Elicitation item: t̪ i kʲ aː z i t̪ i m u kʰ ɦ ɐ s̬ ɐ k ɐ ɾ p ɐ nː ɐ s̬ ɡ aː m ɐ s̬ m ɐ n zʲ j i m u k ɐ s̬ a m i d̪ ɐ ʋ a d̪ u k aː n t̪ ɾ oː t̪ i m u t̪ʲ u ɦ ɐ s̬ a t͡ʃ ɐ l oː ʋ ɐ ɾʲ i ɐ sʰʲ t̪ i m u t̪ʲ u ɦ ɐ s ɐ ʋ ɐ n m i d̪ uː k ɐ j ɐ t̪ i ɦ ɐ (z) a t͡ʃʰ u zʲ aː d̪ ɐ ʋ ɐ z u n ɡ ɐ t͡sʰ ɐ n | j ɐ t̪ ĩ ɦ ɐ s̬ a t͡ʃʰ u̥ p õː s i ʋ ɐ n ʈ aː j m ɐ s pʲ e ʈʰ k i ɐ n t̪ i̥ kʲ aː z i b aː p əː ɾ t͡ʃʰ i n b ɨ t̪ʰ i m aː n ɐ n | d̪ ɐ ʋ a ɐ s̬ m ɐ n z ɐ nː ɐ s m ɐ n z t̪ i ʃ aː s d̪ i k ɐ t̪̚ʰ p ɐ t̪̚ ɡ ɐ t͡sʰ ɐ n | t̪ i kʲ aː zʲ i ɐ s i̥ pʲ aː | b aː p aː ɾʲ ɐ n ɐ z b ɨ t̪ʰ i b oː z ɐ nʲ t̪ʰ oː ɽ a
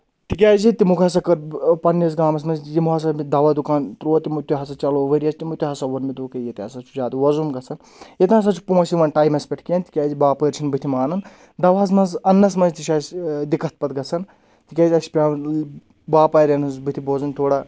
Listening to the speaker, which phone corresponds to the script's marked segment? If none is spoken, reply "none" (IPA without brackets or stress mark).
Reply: s